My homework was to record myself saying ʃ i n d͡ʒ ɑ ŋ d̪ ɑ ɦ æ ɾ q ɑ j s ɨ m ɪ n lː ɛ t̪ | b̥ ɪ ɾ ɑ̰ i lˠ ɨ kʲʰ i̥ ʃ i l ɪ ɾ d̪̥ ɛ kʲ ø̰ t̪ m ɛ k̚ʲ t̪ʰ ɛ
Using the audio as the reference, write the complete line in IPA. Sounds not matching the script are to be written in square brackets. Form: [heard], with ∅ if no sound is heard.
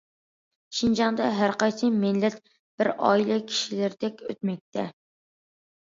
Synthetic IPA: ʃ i n d͡ʒ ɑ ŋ d̪ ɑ ɦ æ ɾ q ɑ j s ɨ m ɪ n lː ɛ t̪ | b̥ ɪ ɾ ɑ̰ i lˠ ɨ kʲʰ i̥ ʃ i l ɪ ɾ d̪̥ ɛ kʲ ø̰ t̪ m ɛ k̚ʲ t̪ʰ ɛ